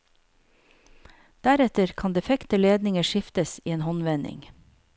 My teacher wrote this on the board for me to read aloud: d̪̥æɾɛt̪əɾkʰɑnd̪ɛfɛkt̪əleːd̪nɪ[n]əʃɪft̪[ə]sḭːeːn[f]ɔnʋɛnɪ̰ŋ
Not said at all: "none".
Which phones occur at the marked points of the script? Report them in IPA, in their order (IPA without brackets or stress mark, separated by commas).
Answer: ŋ, ə, h